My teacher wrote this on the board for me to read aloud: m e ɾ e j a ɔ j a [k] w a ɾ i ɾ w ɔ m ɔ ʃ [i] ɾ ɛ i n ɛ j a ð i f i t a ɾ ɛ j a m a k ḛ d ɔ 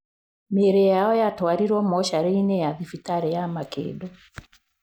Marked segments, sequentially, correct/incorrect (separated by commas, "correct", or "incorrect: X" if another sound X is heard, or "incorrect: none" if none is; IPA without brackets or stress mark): incorrect: t, incorrect: a